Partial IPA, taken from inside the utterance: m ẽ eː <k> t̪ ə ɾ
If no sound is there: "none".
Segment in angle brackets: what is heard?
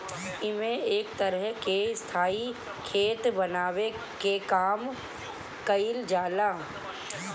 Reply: k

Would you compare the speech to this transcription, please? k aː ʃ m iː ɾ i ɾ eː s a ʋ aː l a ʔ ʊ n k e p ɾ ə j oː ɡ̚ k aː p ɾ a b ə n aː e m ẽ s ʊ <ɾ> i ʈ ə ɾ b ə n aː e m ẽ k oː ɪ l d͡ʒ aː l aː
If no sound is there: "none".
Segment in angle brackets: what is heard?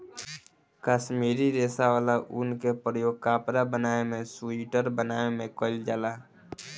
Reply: none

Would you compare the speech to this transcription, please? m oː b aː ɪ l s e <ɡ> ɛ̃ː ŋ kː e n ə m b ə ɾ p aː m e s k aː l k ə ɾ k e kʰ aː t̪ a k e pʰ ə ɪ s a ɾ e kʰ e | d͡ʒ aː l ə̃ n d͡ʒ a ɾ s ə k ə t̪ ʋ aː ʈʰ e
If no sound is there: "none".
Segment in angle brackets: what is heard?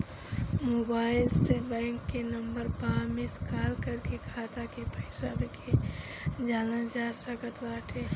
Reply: b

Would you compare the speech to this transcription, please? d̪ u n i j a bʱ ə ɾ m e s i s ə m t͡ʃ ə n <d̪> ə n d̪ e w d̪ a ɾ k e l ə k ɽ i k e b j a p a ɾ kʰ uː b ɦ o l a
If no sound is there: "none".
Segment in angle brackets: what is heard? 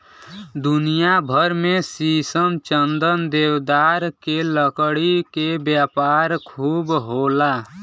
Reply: d̪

